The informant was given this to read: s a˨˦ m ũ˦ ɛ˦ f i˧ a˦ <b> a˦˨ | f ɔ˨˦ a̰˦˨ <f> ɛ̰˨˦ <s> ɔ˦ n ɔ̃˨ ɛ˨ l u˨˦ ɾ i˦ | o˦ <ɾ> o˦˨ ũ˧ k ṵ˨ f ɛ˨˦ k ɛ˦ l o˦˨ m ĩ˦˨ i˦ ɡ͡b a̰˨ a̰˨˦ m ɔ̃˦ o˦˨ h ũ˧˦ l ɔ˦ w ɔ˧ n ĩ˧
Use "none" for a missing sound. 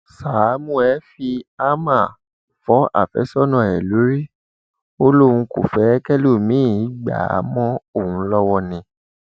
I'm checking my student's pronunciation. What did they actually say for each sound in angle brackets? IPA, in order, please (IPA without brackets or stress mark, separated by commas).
m, f, s, l